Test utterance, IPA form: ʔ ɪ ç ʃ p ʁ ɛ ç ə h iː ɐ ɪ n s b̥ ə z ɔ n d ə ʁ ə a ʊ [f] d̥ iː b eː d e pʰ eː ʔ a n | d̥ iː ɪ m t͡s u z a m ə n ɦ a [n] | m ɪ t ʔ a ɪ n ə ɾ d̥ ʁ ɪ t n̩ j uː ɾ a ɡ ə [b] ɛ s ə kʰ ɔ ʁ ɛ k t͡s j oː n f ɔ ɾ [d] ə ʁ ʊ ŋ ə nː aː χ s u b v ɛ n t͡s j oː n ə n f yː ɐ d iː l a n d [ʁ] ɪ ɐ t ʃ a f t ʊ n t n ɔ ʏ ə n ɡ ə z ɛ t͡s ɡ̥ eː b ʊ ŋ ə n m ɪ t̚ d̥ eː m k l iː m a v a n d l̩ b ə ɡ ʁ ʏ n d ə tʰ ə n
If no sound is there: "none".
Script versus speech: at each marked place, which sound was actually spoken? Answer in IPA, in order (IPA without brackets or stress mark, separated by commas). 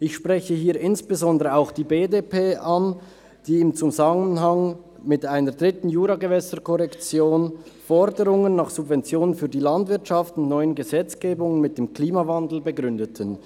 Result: x, ŋ, v, d, v